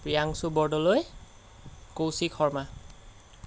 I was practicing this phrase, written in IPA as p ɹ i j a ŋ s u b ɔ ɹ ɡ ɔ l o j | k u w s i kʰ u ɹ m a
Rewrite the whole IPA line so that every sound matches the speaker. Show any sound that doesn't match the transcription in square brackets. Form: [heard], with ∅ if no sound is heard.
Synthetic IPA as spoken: p ɹ i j a ŋ s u b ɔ ɹ [d] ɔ l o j | k [o] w s i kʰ [ɔ] ɹ m a